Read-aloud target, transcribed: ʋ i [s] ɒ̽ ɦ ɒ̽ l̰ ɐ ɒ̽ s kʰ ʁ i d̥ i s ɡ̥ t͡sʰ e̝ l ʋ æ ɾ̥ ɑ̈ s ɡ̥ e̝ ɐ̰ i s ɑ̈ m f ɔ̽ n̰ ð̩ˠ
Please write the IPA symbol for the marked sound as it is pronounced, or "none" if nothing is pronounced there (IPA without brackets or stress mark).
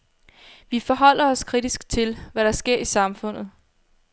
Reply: f